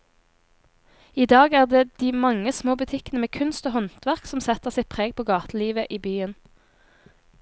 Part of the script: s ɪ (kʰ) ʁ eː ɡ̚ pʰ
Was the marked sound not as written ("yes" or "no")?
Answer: yes